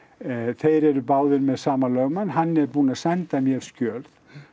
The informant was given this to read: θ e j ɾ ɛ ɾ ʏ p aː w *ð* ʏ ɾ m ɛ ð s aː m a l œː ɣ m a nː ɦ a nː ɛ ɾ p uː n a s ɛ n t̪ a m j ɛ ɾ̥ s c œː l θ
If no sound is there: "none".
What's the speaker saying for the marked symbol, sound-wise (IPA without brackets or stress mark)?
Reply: ð